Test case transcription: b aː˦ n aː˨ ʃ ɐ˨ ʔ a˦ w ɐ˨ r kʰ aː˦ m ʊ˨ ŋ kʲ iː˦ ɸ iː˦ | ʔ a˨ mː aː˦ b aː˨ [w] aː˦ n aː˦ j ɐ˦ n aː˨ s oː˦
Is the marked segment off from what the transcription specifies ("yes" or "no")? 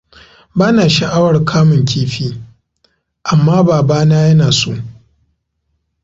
yes